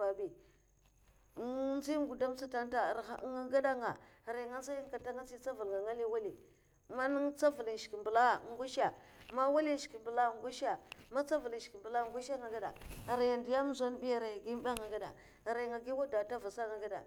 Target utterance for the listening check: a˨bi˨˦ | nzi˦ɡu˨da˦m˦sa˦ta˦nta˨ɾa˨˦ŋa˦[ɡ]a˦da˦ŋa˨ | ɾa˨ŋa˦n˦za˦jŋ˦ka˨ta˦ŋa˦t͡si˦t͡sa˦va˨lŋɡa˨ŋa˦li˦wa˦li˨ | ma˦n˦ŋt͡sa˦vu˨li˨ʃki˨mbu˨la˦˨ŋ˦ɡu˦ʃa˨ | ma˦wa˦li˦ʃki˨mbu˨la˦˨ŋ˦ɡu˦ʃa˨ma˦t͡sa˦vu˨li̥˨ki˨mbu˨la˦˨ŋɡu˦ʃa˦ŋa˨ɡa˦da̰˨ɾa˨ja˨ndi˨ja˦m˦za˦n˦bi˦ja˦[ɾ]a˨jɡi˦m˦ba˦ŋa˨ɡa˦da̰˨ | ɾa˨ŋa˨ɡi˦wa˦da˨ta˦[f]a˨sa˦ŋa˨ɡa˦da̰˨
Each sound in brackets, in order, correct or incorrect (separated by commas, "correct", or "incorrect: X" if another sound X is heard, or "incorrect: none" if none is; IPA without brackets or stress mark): correct, correct, incorrect: v